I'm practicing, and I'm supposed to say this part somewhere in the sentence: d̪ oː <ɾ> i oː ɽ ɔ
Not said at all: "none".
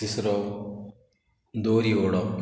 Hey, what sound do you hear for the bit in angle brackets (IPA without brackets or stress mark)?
ɾ